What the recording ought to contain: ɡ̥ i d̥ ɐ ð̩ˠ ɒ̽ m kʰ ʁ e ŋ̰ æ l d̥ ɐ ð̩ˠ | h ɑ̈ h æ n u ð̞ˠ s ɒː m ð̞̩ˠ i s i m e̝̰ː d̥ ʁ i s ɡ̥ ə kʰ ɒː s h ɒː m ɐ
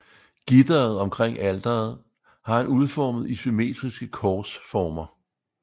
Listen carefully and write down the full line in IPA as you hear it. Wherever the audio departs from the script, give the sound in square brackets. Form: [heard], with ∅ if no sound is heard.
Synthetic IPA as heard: ɡ̥ i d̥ ɐ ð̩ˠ ɒ̽ m kʰ ʁ e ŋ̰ æ l d̥ ɐ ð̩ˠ | h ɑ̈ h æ n u ð̞ˠ [f] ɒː m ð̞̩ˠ i s [y] m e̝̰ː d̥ ʁ i s ɡ̥ ə kʰ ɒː s [f] ɒː m ɐ